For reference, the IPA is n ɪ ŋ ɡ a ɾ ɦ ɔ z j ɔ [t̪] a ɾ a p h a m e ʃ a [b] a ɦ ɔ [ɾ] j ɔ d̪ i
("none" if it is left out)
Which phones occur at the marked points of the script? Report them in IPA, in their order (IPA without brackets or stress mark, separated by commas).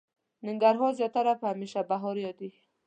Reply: t̪, b, ɾ